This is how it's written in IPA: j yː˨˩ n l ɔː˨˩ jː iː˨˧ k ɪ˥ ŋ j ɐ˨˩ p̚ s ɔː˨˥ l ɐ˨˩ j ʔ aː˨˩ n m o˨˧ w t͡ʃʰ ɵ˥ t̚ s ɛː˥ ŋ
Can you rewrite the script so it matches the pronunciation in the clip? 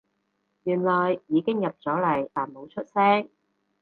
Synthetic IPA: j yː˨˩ n l ɔː˨˩ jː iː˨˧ k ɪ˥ ŋ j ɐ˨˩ p̚ t͡s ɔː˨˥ l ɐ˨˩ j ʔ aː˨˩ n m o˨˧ w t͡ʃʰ ɵ˥ t̚ s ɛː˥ ŋ